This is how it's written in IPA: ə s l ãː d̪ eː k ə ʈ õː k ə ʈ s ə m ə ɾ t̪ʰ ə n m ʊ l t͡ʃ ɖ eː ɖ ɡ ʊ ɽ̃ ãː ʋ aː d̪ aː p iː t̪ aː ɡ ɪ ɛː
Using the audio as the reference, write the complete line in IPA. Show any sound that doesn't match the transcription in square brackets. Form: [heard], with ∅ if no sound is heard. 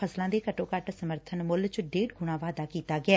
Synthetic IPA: ə s l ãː d̪ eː k ə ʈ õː k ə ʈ s ə m ə ɾ t̪ʰ ə n m ʊ l t͡ʃ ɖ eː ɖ ɡ ʊ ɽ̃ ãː ʋ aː d̪ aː [k] iː t̪ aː ɡ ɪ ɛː

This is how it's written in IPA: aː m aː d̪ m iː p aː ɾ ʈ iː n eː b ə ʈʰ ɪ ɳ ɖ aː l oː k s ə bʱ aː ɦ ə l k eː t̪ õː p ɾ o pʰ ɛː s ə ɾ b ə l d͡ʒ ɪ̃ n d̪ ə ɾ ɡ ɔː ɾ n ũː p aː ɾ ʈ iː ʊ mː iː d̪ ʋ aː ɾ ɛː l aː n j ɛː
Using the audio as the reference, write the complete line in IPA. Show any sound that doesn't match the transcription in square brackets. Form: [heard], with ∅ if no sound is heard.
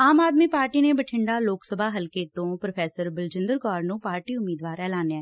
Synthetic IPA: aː m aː d̪ m iː p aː ɾ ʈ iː n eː b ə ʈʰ ɪ ɳ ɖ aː l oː k s ə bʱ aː ɦ ə l k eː t̪ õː p ɾ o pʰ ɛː s ə ɾ b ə l d͡ʒ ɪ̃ n d̪ ə ɾ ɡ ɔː ɾ n ũː p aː ɾ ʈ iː ʊ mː iː d̪ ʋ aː ɾ ɛː l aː n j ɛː

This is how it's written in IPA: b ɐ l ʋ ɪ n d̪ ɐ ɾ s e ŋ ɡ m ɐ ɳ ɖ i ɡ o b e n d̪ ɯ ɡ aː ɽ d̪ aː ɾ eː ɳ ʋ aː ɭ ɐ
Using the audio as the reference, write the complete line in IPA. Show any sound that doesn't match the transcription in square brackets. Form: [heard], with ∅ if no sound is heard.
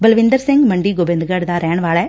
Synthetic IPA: b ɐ l ʋ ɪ n d̪ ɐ ɾ s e ŋ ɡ m ɐ ɳ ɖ i ɡ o b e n d̪ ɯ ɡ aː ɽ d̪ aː ɾ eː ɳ ʋ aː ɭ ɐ

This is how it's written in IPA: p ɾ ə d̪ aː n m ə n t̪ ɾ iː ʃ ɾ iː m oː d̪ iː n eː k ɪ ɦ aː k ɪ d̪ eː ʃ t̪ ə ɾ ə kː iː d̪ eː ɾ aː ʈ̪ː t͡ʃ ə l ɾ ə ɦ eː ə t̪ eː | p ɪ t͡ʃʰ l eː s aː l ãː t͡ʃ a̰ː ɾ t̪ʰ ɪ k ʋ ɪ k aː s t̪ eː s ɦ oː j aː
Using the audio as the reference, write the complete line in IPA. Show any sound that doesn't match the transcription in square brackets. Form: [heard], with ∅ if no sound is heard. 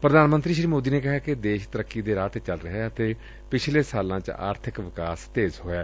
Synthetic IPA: p ɾ ə d̪ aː n m ə n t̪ ɾ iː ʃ ɾ iː m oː d̪ iː n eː k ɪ ɦ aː k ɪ d̪ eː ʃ t̪ ə ɾ ə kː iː d̪ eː ɾ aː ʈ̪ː t͡ʃ ə l ɾ ə ɦ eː ə t̪ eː | p ɪ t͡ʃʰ l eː s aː l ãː t͡ʃ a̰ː ɾ t̪ʰ ɪ k ʋ ɪ k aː s t̪ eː [z] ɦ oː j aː

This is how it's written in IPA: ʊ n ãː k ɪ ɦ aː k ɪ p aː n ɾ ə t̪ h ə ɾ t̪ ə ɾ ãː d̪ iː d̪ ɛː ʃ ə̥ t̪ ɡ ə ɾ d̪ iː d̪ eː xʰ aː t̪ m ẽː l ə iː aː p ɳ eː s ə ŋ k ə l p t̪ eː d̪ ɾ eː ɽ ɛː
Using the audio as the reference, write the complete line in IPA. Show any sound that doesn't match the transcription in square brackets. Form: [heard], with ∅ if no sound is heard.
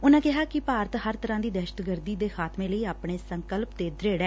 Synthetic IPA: ʊ n ãː k ɪ ɦ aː k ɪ p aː [∅] ɾ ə t̪ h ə ɾ t̪ ə ɾ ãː d̪ iː d̪ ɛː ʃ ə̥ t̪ ɡ ə ɾ d̪ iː d̪ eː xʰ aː t̪ m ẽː l ə iː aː p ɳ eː s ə ŋ k ə l p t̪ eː d̪ ɾ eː ɽ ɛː

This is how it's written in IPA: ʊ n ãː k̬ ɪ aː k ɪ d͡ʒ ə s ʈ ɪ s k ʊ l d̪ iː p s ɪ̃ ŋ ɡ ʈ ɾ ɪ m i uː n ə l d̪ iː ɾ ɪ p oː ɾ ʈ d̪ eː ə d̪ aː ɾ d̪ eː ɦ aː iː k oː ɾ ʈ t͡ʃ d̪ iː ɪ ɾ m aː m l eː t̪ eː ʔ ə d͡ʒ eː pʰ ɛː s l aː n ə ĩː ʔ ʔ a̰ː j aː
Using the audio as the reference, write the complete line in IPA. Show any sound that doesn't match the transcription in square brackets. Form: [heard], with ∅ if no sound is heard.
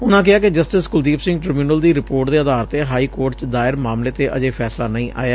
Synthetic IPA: ʊ n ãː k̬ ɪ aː k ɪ d͡ʒ ə s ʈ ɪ s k ʊ l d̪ iː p s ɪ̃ ŋ ɡ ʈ ɾ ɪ m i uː n ə l d̪ iː ɾ ɪ p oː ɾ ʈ d̪ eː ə d̪ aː ɾ [t̪] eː ɦ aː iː k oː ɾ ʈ t͡ʃ d̪ [aː] ɪ ɾ m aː m l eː t̪ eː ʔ ə d͡ʒ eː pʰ ɛː s l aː n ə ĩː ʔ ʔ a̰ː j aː

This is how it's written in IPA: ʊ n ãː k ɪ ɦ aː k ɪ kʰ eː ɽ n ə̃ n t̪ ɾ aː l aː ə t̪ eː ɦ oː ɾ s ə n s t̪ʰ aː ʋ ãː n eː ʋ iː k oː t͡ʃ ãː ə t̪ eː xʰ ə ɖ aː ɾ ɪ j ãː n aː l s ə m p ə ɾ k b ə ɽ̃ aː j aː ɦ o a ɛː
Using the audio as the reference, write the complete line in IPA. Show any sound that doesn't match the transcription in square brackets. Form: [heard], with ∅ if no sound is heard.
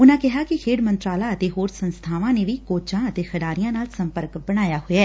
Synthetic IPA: ʊ n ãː k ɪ ɦ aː k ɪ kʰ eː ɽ [m] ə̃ n t̪ ɾ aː l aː ə t̪ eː ɦ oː ɾ s ə n s t̪ʰ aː ʋ ãː n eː ʋ iː k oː t͡ʃ ãː ə t̪ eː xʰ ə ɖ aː ɾ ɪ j ãː n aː l s ə m p ə ɾ k b ə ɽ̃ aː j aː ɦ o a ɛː

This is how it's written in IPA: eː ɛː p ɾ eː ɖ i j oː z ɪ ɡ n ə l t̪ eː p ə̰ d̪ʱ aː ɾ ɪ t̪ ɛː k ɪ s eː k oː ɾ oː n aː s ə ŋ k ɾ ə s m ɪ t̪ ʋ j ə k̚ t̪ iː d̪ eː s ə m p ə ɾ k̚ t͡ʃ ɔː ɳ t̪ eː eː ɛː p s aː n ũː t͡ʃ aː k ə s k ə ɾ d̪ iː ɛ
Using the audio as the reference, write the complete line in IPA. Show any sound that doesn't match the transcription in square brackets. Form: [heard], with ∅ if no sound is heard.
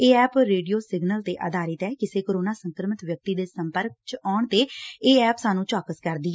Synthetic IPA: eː ɛː p ɾ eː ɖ i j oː [s] ɪ ɡ n ə l t̪ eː [ʔ] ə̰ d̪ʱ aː ɾ ɪ t̪ ɛː k ɪ s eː k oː ɾ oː n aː s ə ŋ k ɾ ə [∅] m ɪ t̪ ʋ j ə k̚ t̪ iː d̪ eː s ə m p ə ɾ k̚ t͡ʃ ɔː ɳ t̪ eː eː ɛː p s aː n ũː t͡ʃ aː k ə s k ə ɾ d̪ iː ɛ

